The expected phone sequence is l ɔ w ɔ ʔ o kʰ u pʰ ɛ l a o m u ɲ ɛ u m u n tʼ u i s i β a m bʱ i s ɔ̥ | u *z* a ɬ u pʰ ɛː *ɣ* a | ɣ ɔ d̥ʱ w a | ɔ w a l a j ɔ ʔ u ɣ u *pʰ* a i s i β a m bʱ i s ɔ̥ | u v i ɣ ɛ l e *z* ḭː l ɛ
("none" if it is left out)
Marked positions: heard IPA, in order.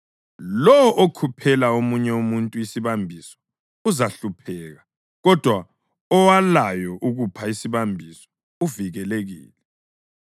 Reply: z, ɣ, pʰ, ɣ

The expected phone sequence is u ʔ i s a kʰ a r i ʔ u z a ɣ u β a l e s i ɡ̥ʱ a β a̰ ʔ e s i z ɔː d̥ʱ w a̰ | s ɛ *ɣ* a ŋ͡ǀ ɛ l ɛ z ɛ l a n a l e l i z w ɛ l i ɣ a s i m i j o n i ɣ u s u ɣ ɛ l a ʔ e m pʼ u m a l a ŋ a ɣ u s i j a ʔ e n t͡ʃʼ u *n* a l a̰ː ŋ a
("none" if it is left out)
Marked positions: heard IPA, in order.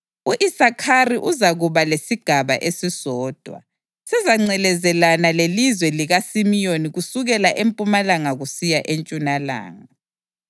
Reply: z, n

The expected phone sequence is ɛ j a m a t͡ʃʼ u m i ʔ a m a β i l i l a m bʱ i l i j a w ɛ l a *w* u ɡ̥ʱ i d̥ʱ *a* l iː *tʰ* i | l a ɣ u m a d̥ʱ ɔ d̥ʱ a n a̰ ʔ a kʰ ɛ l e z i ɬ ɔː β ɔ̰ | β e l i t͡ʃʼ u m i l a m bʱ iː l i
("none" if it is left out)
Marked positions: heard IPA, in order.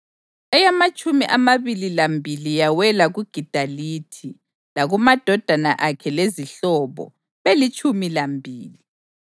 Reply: ɣ, a, tʰ

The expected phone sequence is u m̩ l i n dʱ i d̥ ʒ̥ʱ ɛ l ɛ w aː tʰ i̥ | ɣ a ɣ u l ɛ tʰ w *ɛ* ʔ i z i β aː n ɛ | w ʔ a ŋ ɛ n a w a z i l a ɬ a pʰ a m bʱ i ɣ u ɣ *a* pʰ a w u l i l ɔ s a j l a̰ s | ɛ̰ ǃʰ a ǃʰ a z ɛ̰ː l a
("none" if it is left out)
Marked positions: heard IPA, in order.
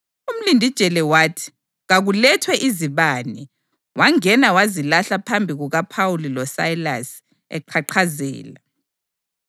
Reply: ɛ, a

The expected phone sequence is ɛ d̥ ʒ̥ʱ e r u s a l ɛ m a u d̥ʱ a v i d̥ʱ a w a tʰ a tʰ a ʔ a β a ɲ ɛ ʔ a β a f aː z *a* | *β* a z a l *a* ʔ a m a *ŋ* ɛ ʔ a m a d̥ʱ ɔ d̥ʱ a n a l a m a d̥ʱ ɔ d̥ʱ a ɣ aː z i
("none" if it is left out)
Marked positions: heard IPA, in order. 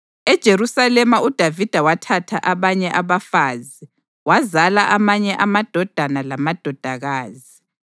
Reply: i, w, a, ɲ

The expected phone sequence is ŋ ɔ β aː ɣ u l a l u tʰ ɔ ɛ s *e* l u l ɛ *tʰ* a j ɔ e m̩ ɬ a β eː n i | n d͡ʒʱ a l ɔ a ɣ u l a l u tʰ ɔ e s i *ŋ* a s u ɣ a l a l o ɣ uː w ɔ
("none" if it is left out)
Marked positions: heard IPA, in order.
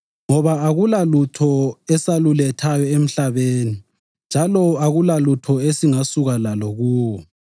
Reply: a, tʰ, ŋ

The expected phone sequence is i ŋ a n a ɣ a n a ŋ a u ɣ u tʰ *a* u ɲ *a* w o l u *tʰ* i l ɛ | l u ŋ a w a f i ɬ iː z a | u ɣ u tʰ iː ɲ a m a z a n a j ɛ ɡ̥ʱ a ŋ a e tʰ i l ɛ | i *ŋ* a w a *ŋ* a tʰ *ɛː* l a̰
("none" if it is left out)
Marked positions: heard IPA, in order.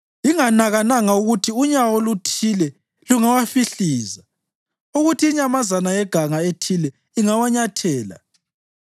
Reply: i, a, tʰ, ŋ, ɲ, ɛː

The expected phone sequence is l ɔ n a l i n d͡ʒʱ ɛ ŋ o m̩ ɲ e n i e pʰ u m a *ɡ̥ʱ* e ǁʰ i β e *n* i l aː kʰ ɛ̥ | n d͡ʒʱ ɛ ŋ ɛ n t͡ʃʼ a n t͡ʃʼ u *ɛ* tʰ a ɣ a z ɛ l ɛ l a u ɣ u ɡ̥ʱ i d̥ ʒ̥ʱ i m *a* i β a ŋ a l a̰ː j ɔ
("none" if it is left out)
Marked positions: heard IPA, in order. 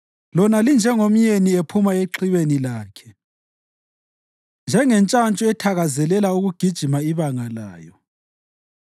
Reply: none, n, ɛ, a

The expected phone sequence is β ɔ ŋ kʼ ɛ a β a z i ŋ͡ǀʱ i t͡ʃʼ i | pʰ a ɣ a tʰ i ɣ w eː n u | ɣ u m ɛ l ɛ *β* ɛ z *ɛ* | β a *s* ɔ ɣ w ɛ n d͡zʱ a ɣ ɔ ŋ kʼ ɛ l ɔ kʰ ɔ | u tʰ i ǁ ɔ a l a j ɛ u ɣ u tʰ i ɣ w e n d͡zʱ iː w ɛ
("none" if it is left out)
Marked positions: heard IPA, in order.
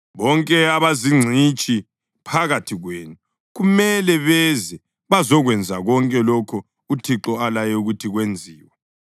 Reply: β, ɛ, z

